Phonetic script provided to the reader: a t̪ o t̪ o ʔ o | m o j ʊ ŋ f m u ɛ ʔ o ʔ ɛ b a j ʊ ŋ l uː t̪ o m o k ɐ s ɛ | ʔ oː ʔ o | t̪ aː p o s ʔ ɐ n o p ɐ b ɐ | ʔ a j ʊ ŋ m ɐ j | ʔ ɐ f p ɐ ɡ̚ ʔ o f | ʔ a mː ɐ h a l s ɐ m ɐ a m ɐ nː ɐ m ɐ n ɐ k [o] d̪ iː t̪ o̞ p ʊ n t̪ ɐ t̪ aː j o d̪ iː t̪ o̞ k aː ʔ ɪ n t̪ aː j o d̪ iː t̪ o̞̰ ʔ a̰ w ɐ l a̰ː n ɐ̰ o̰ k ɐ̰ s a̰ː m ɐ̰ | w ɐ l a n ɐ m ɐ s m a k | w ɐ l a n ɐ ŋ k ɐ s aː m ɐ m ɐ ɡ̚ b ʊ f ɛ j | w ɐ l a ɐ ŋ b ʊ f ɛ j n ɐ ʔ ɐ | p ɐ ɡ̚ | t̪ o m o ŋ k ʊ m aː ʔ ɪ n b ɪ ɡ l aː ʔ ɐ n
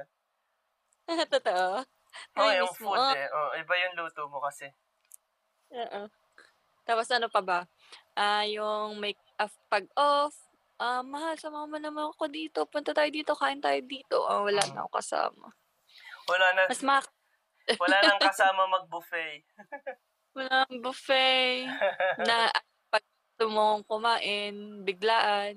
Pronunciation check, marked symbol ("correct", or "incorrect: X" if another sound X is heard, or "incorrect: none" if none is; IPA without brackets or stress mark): correct